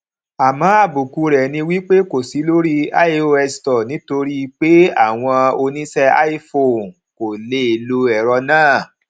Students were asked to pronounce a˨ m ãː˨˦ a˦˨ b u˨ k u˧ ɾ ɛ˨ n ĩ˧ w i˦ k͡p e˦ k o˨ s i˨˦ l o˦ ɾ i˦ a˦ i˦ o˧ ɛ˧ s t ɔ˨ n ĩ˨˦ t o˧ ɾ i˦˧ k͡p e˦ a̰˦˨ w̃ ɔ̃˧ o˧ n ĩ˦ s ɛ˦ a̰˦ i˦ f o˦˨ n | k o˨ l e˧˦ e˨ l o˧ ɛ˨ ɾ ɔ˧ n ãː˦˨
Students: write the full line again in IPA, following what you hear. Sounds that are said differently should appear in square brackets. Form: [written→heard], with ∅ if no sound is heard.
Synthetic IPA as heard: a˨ m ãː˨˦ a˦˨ b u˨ k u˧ ɾ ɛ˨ n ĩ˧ w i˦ k͡p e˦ k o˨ s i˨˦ l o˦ ɾ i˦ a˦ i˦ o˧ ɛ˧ s t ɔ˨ n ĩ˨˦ t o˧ ɾ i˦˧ k͡p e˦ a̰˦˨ w̃ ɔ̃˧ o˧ n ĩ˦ s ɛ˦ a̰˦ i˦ f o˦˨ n | k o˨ l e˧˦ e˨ l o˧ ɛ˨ ɾ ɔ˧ n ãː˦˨

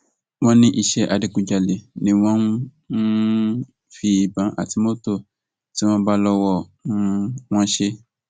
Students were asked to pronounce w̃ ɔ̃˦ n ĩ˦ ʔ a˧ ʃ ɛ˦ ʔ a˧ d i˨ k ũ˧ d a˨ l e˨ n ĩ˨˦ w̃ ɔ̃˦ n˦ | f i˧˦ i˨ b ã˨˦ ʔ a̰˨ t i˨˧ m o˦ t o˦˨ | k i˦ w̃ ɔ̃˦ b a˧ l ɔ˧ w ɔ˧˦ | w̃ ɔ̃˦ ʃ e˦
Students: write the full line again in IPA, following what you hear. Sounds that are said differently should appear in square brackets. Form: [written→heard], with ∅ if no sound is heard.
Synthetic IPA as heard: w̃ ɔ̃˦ n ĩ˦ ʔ [a˧→i˧] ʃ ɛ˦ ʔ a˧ d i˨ k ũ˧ [d→d͡ʒ] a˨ l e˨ n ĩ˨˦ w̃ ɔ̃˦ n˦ | f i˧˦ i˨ b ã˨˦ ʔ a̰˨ t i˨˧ m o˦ t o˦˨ | [k→t] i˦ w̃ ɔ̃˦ b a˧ l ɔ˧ w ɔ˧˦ | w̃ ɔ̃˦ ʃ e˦

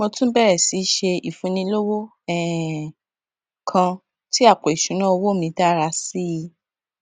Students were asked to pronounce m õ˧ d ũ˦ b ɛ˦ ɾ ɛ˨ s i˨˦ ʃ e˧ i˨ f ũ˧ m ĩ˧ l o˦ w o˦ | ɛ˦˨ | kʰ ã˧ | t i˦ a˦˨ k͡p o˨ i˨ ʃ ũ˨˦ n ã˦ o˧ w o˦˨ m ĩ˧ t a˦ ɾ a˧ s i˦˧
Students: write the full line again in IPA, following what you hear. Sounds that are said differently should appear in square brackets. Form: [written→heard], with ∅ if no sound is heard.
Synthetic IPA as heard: m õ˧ [d→t] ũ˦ b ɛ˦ ɾ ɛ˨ s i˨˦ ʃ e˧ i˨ f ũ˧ [m→n] ĩ˧ l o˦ w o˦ | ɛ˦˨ | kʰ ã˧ | t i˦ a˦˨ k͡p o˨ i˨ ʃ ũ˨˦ n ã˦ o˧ w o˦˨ m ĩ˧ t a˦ ɾ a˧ s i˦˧

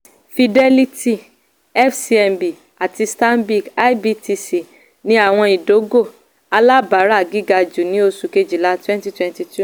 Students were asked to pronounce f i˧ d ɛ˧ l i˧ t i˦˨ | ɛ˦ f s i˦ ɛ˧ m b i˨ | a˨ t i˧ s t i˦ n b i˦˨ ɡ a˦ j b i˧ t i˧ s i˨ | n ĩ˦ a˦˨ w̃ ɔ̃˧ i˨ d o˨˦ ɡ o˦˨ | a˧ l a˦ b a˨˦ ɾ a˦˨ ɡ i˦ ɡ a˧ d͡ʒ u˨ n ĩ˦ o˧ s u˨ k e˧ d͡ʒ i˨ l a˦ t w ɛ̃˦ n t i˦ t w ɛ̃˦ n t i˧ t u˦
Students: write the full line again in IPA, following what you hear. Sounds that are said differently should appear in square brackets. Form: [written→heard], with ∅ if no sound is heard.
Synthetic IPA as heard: f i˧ d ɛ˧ l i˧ t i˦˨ | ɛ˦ f s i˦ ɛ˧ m b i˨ | a˨ t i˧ s t [i˦→a˦] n b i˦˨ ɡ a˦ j b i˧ t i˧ s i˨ | n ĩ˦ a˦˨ w̃ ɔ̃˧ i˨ d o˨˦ ɡ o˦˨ | a˧ l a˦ b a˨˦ ɾ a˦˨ ɡ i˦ ɡ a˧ d͡ʒ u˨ n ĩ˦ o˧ s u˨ k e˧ d͡ʒ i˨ l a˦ t w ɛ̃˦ n t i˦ t w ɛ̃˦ n t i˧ t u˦

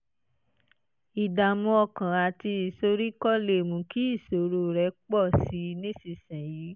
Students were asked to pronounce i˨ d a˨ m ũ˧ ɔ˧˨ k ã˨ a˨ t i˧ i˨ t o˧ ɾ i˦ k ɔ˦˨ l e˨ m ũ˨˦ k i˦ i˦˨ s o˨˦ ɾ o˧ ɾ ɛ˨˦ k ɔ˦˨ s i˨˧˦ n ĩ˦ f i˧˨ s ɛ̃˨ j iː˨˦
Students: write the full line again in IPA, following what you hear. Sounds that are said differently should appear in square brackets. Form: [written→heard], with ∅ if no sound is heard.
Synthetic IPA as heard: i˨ d a˨ m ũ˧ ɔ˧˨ k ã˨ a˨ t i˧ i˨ [t→s] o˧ ɾ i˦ k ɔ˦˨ l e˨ m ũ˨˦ k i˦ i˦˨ s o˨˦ ɾ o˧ ɾ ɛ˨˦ [k→k͡p] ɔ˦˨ s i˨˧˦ n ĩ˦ [f→s] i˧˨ s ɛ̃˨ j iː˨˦

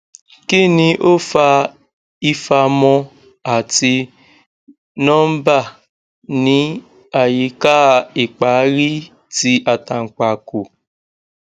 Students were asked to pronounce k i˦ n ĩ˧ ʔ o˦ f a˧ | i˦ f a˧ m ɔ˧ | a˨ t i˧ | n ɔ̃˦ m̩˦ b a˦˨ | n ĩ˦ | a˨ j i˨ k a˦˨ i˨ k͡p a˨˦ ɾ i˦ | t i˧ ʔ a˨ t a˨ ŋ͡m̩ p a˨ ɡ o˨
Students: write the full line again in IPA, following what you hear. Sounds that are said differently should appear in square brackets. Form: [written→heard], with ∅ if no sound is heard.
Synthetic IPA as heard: k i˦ n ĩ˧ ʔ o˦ f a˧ | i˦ f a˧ m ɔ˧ | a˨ t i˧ | n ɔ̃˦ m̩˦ b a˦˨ | n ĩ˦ | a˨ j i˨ k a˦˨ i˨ k͡p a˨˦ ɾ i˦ | t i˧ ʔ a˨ t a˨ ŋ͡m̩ [p→k͡p] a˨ [ɡ→k] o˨

